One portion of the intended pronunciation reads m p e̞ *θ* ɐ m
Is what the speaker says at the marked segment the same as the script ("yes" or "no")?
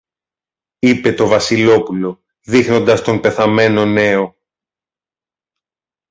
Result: yes